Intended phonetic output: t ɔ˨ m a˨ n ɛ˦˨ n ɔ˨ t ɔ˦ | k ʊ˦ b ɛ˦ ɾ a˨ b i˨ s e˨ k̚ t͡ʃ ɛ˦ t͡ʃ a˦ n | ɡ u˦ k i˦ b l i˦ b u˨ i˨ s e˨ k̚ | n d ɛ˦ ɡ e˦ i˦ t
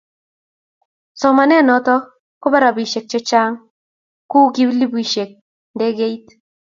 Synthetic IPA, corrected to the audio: s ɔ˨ m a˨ n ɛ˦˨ n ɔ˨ t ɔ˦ | k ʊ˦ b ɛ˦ ɾ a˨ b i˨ ʃ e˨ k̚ t͡ʃ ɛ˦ t͡ʃ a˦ ŋ | k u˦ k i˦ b l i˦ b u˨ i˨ ʃ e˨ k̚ | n d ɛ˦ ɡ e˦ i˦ t